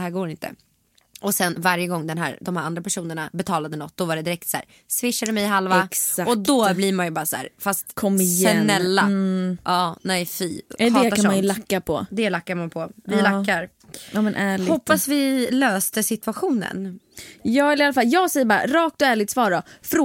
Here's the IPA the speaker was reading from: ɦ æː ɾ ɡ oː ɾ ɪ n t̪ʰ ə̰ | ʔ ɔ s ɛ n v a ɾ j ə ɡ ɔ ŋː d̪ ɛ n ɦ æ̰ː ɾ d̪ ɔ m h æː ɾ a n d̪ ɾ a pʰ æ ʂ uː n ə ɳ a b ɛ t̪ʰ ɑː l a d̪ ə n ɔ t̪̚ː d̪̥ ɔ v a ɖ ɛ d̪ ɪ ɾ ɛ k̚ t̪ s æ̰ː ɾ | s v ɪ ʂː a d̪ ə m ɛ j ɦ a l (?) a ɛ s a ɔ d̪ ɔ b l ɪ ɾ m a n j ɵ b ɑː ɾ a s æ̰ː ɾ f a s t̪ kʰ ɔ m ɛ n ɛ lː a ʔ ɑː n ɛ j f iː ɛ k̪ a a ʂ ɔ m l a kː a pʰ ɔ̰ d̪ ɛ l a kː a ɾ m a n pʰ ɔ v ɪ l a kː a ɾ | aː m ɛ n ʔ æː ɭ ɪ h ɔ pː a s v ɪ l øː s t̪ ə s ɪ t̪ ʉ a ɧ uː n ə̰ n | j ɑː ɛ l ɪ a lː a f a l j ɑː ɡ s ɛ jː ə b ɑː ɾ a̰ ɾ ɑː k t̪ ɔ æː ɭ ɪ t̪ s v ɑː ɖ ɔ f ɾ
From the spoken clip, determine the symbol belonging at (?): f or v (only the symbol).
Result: v